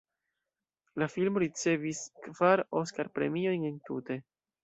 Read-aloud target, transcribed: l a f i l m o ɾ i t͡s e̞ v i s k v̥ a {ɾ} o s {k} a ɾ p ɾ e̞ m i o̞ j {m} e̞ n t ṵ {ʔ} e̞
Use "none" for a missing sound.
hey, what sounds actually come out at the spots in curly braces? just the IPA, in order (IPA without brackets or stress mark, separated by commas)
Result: ɾ, k, n, t